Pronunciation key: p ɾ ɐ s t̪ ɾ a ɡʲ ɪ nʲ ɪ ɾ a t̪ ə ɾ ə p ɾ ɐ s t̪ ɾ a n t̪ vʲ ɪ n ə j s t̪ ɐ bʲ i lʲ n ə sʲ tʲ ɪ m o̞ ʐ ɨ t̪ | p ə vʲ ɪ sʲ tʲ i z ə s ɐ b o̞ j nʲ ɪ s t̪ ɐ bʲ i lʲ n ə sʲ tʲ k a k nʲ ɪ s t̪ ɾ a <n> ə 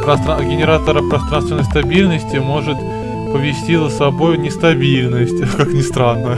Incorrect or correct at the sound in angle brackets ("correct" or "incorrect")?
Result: incorrect